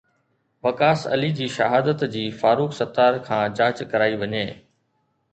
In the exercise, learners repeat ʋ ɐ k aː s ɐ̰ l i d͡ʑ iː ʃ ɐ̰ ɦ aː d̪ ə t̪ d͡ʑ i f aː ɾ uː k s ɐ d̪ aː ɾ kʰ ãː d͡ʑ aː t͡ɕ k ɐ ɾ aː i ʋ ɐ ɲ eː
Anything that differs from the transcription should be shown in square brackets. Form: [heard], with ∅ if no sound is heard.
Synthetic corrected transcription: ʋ ɐ k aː s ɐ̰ l i d͡ʑ iː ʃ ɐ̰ ɦ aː d̪ ə t̪ d͡ʑ [iː] f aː ɾ uː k s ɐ [t̪] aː ɾ kʰ ãː d͡ʑ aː t͡ɕ k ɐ ɾ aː i ʋ ɐ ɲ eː

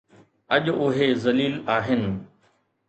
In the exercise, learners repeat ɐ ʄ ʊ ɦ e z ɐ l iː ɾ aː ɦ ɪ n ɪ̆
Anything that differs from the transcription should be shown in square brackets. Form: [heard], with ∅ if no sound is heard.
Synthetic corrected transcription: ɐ ʄ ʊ ɦ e z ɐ l iː [l] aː ɦ ɪ n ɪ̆

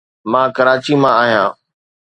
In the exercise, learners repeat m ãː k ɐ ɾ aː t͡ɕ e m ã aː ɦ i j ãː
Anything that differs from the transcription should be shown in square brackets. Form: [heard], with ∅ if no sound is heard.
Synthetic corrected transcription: m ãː k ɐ ɾ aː t͡ɕ [i] m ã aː ɦ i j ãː

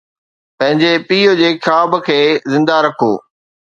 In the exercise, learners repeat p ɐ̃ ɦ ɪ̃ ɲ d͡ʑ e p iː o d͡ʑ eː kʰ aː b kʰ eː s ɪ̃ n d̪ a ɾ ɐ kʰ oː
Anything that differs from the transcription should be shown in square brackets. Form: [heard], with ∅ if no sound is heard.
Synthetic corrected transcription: p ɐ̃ ɦ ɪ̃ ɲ d͡ʑ e p iː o d͡ʑ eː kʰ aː b kʰ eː [z] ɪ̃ n d̪ a ɾ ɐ kʰ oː

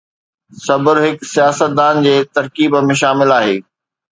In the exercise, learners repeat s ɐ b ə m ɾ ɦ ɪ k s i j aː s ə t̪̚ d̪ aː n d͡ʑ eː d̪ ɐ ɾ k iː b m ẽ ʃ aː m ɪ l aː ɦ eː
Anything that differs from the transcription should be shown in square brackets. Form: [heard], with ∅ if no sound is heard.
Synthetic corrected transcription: s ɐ b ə [∅] ɾ ɦ ɪ k s i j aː s ə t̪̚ d̪ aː n d͡ʑ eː [t̪] ɐ ɾ k iː b m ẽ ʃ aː m ɪ l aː ɦ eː

